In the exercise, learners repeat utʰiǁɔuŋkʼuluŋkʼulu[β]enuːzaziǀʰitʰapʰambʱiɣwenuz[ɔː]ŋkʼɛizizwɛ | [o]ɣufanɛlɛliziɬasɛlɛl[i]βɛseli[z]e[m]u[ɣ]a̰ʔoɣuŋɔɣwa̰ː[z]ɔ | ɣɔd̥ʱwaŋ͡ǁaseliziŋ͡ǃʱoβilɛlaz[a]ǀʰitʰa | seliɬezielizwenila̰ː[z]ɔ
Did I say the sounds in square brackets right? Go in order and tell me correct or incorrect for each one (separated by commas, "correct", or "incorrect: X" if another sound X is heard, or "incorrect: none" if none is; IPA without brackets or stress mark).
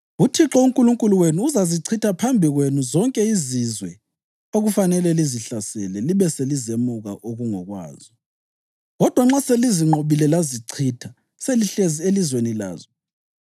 incorrect: w, incorrect: ɔ, correct, correct, correct, correct, correct, correct, incorrect: i, correct